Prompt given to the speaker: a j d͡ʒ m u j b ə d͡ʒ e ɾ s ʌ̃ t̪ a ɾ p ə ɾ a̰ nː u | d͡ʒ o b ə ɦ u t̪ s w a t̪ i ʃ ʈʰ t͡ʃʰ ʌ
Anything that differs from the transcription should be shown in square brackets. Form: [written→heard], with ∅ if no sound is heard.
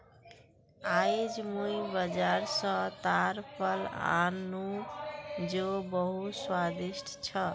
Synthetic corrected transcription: a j d͡ʒ m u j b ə d͡ʒ [e→a] ɾ s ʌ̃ t̪ a ɾ p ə [ɾ→l] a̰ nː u | d͡ʒ o b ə ɦ u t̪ s w a [t̪→d̪] i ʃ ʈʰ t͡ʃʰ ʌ

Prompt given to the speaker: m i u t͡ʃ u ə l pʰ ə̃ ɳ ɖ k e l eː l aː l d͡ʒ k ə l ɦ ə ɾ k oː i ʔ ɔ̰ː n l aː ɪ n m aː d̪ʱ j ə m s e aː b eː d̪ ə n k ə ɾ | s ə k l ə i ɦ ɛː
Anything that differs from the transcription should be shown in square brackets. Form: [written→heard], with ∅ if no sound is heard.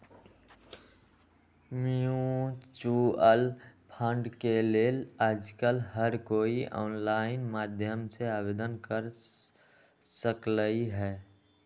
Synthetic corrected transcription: m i u t͡ʃ u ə l pʰ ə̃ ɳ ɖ k e l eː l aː [l→∅] d͡ʒ k ə l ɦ ə ɾ k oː i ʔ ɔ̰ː n l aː ɪ n m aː d̪ʱ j ə m s e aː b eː d̪ ə n k ə ɾ | s ə k l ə i ɦ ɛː

